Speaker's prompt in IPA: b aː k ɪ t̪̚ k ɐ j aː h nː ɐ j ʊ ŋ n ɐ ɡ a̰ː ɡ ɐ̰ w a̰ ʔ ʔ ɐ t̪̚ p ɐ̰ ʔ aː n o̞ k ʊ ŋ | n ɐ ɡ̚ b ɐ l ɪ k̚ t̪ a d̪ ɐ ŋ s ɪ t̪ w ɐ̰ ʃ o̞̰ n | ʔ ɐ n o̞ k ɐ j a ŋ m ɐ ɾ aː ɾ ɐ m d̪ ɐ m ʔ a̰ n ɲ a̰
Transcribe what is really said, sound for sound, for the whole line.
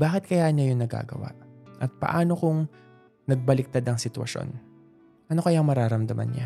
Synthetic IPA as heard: b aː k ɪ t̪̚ k ɐ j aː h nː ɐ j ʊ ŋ n ɐ ɡ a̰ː ɡ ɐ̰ w a̰ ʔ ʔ ɐ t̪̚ p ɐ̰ ʔ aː n o̞ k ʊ ŋ | n ɐ ɡ̚ b ɐ l ɪ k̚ t̪ a d̪ ɐ ŋ s ɪ t̪ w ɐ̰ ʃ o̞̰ n | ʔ ɐ n o̞ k ɐ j a ŋ m ɐ ɾ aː ɾ ɐ m d̪ ɐ m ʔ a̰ n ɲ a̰